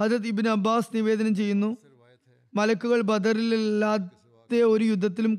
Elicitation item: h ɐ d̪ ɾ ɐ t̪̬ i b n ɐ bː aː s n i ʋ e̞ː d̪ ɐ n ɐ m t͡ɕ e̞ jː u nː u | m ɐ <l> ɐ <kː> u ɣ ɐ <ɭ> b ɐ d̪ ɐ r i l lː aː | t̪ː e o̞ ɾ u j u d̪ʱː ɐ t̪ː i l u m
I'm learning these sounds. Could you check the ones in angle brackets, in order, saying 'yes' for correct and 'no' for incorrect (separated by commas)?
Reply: yes, yes, yes